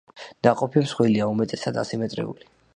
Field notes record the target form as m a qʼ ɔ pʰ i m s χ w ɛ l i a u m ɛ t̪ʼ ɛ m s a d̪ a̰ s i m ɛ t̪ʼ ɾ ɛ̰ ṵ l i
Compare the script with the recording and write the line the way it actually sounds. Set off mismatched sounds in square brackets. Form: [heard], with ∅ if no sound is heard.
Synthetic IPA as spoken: [n] a qʼ ɔ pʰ i m s χ w [i] l i a u m ɛ t̪ʼ ɛ [∅] s a d̪ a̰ s i m ɛ t̪ʼ ɾ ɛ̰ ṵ l i